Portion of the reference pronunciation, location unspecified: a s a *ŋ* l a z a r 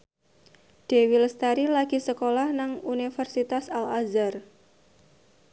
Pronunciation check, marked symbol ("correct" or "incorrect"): incorrect